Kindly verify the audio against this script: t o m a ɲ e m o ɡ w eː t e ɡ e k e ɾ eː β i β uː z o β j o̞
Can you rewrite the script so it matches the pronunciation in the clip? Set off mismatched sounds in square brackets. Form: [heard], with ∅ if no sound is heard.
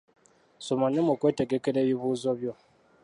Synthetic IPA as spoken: [s] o m a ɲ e m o [k] w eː t e ɡ e k e ɾ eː β i β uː z o β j o̞

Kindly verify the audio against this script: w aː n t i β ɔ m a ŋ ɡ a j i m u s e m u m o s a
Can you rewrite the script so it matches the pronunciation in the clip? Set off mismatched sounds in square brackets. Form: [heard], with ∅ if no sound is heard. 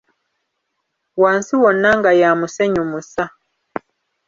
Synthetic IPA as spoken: w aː n [s] i [w] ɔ [n] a ŋ ɡ a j [a] m u s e [ɲ] u m [u] s a

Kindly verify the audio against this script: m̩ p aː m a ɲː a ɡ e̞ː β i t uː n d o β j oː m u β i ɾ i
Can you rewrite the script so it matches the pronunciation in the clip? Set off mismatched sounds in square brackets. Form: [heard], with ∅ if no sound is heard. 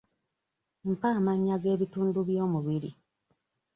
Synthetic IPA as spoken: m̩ p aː m a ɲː a ɡ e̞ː β i t uː n d [u] β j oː m u β i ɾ i

